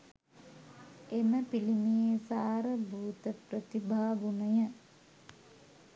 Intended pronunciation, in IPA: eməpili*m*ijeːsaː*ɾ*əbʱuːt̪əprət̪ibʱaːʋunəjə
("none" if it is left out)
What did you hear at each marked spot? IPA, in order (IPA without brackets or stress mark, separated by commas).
m, ɾ